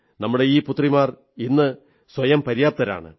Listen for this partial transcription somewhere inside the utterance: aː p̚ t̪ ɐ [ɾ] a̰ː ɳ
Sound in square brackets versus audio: correct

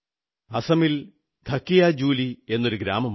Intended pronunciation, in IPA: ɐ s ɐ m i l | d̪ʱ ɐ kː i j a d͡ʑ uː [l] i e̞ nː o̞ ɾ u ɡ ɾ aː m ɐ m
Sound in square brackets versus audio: correct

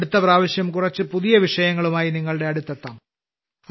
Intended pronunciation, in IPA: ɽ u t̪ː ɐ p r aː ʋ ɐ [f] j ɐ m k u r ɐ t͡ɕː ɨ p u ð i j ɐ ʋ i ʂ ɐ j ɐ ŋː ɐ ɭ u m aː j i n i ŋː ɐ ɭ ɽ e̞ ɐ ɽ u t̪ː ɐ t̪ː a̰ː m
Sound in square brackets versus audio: incorrect: ɕ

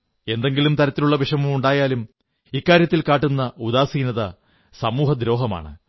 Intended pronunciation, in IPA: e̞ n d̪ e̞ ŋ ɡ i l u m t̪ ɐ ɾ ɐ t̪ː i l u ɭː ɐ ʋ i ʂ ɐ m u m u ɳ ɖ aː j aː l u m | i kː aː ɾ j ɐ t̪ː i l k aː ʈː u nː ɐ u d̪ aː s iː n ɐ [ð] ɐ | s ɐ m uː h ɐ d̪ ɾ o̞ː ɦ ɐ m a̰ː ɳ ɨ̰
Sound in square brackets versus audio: correct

